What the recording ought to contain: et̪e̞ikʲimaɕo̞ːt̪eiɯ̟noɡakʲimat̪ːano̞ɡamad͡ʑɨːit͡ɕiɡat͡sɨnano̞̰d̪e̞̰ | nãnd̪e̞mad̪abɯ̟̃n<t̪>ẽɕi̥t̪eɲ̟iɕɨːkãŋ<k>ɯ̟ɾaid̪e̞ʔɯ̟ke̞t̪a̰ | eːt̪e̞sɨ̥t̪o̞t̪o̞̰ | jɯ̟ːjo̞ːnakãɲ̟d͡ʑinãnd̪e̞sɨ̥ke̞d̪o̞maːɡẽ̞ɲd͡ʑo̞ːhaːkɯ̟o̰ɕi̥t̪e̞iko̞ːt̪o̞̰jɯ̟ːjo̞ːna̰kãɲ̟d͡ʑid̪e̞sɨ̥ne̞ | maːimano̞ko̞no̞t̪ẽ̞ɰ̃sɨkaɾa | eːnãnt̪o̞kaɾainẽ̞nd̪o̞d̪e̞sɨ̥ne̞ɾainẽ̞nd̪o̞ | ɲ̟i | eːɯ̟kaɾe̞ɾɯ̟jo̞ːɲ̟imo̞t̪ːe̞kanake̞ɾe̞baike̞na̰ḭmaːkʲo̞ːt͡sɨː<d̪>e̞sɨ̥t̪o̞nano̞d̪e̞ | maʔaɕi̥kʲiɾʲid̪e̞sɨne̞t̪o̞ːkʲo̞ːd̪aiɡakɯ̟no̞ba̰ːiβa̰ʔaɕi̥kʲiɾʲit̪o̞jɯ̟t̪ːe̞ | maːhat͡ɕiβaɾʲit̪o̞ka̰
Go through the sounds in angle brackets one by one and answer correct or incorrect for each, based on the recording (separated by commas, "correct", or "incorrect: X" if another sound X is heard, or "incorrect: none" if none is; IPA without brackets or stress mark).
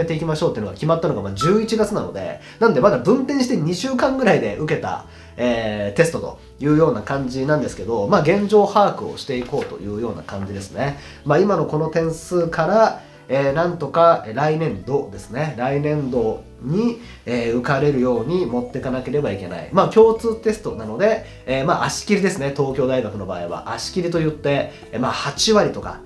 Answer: correct, incorrect: ɡ, incorrect: t̪